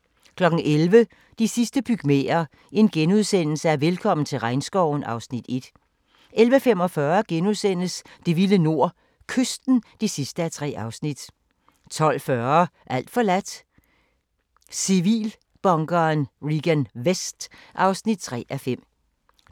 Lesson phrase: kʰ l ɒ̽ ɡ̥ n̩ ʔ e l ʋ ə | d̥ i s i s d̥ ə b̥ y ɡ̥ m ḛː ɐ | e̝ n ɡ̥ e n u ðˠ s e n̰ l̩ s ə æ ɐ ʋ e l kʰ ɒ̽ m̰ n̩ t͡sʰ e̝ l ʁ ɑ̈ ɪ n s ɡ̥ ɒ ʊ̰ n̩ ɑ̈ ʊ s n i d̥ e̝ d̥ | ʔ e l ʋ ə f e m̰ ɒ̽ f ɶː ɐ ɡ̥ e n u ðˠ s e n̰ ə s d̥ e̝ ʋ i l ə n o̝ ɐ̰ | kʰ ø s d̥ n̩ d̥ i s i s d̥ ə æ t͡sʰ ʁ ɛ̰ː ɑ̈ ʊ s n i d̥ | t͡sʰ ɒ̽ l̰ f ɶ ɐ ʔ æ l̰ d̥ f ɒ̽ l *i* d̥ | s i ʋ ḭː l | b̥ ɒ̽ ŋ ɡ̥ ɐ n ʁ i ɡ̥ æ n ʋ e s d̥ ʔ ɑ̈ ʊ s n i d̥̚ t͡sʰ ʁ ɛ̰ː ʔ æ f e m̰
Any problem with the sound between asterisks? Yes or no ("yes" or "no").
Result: yes